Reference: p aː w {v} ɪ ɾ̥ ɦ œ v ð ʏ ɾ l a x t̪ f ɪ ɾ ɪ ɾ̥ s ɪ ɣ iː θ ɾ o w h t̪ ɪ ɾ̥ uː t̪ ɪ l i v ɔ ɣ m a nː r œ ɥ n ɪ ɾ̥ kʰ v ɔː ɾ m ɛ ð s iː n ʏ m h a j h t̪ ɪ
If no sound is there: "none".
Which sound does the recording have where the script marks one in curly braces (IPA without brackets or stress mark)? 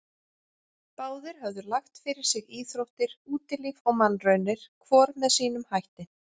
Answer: ð